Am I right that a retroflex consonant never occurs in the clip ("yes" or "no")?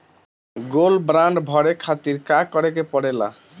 no